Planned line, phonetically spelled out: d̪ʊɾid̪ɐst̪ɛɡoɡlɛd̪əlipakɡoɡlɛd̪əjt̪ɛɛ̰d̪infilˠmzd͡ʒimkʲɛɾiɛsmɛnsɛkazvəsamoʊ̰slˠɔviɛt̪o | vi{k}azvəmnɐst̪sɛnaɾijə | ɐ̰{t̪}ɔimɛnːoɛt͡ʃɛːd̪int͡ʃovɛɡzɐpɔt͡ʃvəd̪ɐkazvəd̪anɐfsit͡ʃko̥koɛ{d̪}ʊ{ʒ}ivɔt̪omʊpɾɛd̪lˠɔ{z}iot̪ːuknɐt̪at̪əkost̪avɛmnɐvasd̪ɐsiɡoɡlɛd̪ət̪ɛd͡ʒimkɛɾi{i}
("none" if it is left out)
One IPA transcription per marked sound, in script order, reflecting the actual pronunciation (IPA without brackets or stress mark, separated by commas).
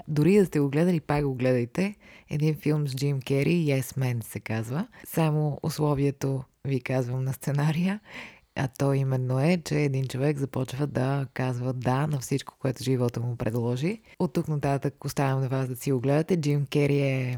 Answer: k, t̪, t̪, ʒ, ʒ, ɛ